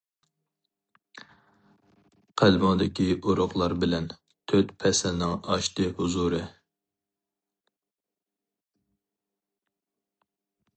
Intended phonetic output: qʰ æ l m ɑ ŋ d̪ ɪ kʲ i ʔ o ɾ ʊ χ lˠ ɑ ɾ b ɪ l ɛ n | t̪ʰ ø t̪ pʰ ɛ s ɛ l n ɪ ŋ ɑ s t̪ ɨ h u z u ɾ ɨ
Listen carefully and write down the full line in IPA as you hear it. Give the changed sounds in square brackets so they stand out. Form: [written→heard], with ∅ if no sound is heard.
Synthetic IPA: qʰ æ l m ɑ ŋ d̪ ɪ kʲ i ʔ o ɾ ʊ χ lˠ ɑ ɾ b ɪ l ɛ n | t̪ʰ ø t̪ pʰ ɛ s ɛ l n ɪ ŋ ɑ [s→ʃ] t̪ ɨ h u z u ɾ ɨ